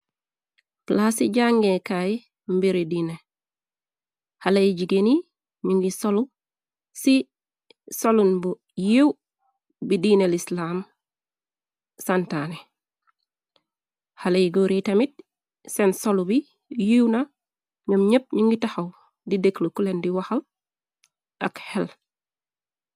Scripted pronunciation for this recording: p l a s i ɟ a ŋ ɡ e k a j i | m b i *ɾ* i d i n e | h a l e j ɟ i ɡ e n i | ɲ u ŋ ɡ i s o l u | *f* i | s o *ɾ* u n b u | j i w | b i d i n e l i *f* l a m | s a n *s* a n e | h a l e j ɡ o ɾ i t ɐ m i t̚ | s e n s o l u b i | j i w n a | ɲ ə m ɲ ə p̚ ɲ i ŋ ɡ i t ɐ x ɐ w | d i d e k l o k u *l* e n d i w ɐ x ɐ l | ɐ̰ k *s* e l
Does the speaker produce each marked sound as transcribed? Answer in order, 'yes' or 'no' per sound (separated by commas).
yes, no, no, no, no, yes, no